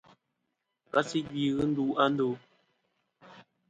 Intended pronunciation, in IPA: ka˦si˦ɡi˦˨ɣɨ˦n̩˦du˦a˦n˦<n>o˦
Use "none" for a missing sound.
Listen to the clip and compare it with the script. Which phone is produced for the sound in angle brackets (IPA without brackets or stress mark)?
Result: d